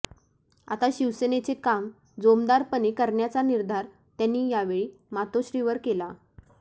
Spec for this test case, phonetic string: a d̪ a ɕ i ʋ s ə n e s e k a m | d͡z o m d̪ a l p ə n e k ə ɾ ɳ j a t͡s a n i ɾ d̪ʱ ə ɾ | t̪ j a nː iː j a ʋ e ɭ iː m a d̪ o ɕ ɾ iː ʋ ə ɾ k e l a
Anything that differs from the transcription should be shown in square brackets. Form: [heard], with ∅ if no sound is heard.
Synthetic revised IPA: a [t̪] a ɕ i ʋ s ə n e [t͡s] e k a m | d͡z o m d̪ a [ɾ] p ə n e k ə ɾ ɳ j a t͡s a n i ɾ d̪ʱ [a] ɾ | t̪ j a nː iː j a ʋ e ɭ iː m a [t̪] o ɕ ɾ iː ʋ ə ɾ k e l a